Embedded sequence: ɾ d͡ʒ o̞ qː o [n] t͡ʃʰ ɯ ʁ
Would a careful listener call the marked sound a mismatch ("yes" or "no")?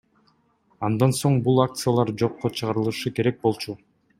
yes